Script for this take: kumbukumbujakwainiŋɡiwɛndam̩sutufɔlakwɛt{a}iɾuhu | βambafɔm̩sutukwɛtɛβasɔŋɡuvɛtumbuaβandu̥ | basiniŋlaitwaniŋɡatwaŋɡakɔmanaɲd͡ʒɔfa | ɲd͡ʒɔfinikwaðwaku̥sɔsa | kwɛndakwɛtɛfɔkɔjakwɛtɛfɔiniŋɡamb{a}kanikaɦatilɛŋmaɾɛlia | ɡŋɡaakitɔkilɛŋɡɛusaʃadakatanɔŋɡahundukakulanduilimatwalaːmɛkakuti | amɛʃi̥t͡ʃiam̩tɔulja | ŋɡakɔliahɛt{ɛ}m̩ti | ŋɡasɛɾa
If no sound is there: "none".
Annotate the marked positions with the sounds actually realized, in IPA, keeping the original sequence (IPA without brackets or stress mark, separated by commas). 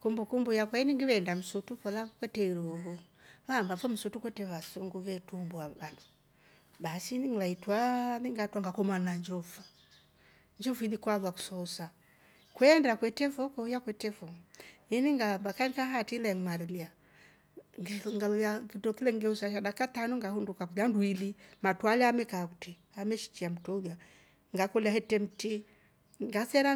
ɛ, a, ɛ